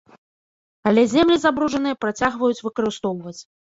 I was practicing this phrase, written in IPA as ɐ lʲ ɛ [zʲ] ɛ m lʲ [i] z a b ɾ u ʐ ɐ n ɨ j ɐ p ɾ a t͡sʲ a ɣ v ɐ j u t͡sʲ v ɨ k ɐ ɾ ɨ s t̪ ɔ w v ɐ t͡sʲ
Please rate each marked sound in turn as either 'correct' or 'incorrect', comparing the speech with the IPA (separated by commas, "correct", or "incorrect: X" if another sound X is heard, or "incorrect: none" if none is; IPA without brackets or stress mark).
correct, correct